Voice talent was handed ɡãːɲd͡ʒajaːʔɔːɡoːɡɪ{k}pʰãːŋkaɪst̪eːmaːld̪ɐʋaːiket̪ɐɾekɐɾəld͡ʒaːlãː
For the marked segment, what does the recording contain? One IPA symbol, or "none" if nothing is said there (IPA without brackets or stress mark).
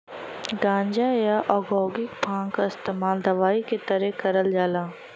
k